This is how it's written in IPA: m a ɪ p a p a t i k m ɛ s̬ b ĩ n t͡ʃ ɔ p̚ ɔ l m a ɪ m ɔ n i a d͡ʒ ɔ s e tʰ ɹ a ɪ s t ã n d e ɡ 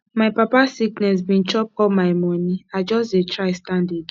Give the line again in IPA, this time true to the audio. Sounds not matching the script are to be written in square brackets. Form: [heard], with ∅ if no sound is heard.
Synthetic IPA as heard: m a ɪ p a p a [s] i k [n] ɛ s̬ b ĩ n t͡ʃ ɔ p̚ ɔ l m a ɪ m ɔ n i a d͡ʒ ɔ s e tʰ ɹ a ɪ s t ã n d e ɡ